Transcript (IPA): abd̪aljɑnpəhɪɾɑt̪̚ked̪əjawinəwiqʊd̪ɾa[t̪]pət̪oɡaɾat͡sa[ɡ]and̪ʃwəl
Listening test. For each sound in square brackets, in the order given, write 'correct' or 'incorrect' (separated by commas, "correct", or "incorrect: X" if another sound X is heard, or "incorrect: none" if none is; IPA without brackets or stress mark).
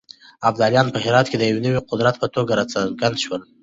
correct, correct